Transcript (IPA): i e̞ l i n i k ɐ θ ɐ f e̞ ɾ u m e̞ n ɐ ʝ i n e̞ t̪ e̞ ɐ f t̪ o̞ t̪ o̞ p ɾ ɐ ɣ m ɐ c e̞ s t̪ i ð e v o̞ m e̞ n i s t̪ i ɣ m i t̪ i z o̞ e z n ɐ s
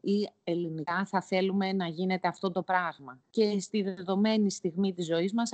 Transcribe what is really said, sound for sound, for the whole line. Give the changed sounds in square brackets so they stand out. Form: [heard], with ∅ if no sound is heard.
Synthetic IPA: i e̞ l i n i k ɐ θ ɐ [θ] e̞ [l] u m e̞ n ɐ ʝ i n e̞ t̪ e̞ ɐ f t̪ o̞ t̪ o̞ p ɾ ɐ ɣ m ɐ c e̞ s t̪ i ð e [ð] o̞ m e̞ n i s t̪ i ɣ m i t̪ i z o̞ [i] z [m] ɐ s